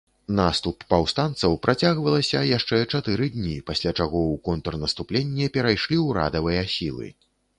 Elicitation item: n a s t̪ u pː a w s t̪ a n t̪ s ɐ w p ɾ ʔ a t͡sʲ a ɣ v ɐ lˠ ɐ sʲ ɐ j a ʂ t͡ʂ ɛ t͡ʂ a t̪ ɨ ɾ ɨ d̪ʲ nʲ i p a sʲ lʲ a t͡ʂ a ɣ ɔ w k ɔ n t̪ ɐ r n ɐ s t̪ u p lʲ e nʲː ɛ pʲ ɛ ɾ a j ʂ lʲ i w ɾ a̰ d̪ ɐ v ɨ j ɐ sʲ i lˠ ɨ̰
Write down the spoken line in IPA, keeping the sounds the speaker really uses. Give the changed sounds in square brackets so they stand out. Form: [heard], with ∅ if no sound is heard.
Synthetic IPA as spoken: n a s t̪ u pː a w s t̪ a n t̪ s ɐ w p ɾ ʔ a t͡sʲ a ɣ v ɐ lˠ ɐ sʲ ɐ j a ʂ t͡ʂ ɛ t͡ʂ a t̪ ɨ ɾ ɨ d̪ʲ nʲ i p a sʲ lʲ a t͡ʂ a ɣ ɔ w k ɔ n t̪ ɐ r n ɐ s t̪ u p lʲ e nʲː ɛ pʲ ɛ ɾ a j ʂ lʲ i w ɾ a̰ d̪ ɐ v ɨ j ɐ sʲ i lˠ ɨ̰